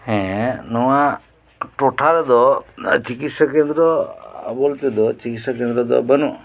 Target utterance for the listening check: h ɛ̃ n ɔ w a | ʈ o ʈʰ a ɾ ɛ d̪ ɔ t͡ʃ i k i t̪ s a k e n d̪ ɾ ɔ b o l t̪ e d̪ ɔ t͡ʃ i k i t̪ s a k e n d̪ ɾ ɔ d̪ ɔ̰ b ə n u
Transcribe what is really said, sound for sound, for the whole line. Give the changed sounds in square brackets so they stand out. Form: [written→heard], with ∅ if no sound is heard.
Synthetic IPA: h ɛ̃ n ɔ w a | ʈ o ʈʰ a ɾ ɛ d̪ ɔ t͡ʃ i k i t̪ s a k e n d̪ ɾ ɔ b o l t̪ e d̪ ɔ t͡ʃ i k i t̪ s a k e n d̪ ɾ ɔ d̪ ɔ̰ b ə n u